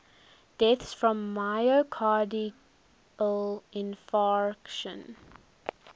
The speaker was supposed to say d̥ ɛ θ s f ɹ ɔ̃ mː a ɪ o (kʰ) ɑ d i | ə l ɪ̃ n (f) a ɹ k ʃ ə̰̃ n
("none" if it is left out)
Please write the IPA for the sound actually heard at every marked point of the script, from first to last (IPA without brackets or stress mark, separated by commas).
kʰ, f